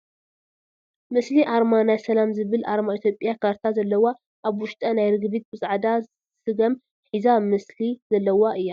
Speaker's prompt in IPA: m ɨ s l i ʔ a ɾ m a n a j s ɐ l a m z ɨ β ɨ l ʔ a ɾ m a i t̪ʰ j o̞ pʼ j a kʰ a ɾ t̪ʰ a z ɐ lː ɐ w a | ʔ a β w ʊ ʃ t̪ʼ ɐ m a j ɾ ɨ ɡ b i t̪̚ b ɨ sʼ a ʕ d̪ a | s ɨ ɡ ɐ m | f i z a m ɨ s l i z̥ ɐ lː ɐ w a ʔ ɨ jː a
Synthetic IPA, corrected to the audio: m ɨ s l i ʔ a ɾ m a n a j s ɐ l a m z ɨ β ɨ l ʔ a ɾ m a i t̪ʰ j o̞ pʼ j a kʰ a ɾ t̪ʰ a z ɐ lː ɐ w a | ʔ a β w ʊ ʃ t̪ʼ ɐ n a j ɾ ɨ ɡ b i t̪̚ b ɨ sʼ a ʕ d̪ a | s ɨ ɡ ɐ m | ħ i z a m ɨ s l i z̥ ɐ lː ɐ w a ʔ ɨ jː a